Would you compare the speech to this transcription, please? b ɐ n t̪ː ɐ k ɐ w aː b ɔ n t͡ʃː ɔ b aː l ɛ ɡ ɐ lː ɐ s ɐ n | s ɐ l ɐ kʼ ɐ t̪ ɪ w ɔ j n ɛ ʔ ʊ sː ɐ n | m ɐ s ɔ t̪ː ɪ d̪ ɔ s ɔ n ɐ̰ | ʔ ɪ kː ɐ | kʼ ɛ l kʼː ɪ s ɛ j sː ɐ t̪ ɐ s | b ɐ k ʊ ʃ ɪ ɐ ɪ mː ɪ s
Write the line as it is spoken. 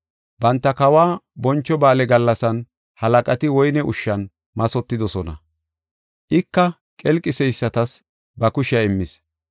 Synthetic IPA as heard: b ɐ n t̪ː ɐ k ɐ w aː b ɔ n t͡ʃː ɔ b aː l ɛ ɡ ɐ lː ɐ s ɐ n | h ɐ l ɐ kʼ ɐ t̪ ɪ w ɔ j n ɛ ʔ ʊ ʃː ɐ n | m ɐ s ɔ t̪ː ɪ d̪ ɔ s ɔ n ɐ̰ | ʔ ɪ kː ɐ | kʼ ɛ l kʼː ɪ s ɛ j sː ɐ t̪ ɐ s | b ɐ k ʊ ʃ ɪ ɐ ɪ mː ɪ s